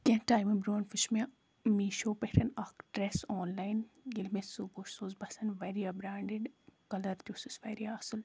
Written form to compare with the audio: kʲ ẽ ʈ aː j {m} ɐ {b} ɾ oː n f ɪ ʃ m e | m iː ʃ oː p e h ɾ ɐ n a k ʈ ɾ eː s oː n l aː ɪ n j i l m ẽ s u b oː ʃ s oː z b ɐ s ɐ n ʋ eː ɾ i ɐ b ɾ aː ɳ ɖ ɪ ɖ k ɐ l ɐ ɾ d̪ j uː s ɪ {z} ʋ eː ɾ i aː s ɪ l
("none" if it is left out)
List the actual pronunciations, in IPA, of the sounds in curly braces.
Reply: m, b, s

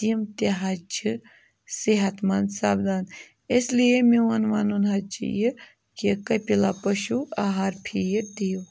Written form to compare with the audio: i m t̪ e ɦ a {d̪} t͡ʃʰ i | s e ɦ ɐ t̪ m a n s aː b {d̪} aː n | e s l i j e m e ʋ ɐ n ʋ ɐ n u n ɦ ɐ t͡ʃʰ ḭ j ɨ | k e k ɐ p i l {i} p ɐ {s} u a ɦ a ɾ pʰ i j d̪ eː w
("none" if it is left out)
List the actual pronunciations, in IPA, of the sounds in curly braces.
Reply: none, d̪, a, ʃ

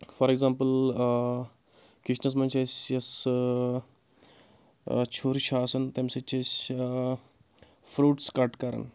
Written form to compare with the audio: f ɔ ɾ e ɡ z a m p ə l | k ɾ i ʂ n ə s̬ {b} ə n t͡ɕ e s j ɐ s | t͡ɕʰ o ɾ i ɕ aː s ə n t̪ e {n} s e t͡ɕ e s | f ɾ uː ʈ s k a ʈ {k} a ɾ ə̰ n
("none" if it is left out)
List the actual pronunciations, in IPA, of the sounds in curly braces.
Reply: m, m, k

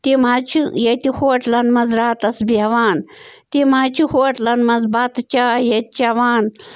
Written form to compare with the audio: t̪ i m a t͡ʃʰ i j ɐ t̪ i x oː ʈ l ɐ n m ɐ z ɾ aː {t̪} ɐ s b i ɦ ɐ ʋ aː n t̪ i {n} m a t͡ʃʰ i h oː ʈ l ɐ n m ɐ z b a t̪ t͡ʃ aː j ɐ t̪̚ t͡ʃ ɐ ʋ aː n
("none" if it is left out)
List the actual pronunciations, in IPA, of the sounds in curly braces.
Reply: t̪, none

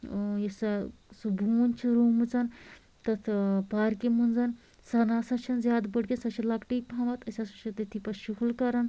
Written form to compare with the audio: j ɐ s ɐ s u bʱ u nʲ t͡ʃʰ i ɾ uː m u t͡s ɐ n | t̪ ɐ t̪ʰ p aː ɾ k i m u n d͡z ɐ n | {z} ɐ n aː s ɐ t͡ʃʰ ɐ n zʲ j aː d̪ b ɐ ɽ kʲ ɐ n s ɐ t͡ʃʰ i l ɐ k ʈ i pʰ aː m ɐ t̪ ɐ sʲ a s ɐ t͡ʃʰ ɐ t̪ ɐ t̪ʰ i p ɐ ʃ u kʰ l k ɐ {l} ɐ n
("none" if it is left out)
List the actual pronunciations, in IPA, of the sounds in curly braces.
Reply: s, ɾ

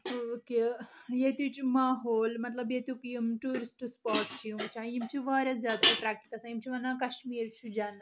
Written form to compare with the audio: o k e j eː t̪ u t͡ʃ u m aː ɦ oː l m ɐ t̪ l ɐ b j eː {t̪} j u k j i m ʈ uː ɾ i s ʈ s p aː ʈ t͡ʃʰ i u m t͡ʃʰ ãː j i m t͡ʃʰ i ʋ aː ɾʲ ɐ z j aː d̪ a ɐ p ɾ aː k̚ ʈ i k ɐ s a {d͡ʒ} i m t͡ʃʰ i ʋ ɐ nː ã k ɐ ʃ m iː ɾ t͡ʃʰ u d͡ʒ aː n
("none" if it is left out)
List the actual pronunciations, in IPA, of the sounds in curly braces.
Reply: t̪, none

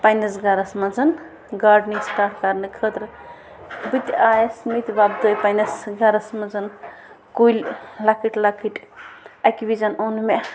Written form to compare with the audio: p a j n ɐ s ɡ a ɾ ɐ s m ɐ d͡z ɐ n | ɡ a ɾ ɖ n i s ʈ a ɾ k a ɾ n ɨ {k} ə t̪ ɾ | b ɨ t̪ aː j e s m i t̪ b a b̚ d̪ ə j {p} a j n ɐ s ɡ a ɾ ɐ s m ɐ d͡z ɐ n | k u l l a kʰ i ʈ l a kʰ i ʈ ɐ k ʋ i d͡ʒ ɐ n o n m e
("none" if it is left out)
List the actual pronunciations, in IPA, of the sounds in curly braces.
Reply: kʰ, p

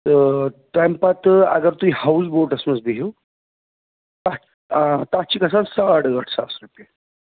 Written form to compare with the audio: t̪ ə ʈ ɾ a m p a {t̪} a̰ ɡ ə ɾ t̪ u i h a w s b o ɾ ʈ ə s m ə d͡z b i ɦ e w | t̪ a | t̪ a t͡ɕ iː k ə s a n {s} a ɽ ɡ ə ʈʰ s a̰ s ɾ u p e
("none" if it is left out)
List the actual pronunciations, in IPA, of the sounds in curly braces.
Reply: t̪, s

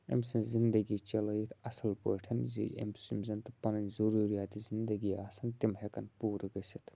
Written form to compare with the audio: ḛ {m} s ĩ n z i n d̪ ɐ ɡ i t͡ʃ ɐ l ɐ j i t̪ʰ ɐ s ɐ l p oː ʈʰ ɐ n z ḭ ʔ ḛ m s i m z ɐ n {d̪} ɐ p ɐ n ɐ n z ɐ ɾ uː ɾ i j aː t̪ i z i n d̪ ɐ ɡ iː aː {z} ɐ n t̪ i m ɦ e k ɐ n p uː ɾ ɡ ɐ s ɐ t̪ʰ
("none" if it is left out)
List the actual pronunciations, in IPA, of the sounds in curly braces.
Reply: m, t̪, s

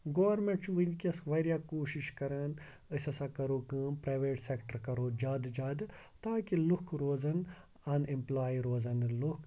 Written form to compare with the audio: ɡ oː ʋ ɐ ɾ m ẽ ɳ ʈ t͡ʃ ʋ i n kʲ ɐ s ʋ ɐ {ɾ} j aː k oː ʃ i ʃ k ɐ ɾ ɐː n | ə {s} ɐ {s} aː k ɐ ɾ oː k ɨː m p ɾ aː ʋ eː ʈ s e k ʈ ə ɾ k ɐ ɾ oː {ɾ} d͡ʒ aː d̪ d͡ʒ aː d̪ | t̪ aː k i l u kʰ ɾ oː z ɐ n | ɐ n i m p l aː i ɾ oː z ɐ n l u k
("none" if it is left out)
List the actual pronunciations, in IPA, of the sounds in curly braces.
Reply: ɾ, s, s, none

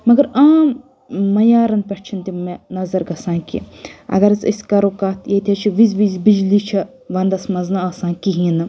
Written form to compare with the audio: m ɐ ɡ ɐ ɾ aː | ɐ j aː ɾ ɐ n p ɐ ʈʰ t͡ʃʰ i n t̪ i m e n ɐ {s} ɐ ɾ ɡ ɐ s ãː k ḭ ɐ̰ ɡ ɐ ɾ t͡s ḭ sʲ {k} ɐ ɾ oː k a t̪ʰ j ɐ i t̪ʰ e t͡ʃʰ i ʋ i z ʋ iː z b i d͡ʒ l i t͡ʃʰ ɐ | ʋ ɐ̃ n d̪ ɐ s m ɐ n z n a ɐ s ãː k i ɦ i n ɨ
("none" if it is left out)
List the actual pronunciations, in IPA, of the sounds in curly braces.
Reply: z, k

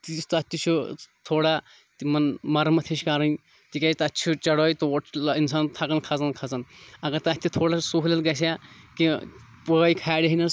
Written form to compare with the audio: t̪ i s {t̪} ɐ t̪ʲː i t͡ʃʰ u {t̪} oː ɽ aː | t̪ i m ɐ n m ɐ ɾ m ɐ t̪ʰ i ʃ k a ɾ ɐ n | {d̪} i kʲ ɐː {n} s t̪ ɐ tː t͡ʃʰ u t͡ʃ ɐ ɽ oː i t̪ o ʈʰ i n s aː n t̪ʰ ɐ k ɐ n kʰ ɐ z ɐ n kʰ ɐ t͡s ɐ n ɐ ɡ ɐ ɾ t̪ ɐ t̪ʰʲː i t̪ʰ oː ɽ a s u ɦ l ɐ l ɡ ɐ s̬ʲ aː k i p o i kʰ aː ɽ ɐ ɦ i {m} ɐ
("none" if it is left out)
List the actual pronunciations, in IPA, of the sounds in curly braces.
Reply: t̪, t̪ʰ, t̪, none, n

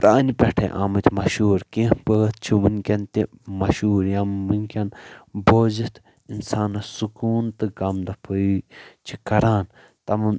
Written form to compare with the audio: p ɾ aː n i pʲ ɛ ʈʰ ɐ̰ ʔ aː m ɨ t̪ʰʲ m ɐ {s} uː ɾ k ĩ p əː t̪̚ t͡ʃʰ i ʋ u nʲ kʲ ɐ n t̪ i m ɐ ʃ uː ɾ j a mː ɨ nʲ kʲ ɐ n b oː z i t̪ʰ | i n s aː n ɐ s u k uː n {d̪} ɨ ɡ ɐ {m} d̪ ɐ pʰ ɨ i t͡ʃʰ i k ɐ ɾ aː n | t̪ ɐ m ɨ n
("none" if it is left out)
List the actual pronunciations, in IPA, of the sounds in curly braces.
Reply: ʃ, t̪, m

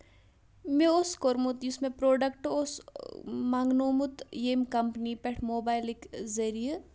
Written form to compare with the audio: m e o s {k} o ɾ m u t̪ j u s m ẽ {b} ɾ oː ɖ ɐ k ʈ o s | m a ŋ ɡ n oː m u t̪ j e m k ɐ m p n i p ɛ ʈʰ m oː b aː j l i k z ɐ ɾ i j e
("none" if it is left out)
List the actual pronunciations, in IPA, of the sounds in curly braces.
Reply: k, p

